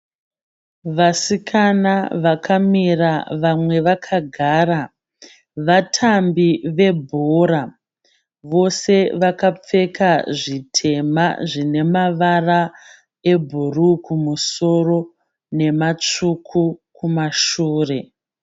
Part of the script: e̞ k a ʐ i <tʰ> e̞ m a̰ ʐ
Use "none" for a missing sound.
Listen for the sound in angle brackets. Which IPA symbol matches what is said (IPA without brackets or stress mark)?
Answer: tʰ